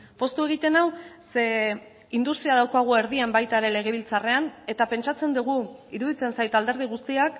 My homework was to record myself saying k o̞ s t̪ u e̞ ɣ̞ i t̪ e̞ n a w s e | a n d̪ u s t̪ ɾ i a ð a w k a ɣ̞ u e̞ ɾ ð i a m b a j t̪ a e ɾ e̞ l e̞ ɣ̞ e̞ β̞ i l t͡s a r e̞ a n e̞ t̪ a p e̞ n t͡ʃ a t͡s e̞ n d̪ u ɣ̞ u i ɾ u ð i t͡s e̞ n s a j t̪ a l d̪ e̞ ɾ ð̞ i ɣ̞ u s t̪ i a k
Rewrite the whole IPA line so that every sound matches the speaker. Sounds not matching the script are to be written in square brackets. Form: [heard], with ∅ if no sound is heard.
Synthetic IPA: [p] o̞ s t̪ u e̞ ɣ̞ i t̪ e̞ n a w s e | [i] n d̪ u s t̪ ɾ i a ð a w k a ɣ̞ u e̞ ɾ ð i a m b a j t̪ a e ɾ e̞ l e̞ ɣ̞ e̞ β̞ i l t͡s a r e̞ a n e̞ t̪ a p e̞ n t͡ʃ a t͡s e̞ n d̪ u ɣ̞ u i ɾ u ð i t͡s e̞ n s a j t̪ a l d̪ e̞ ɾ ð̞ i ɣ̞ u s t̪ i a k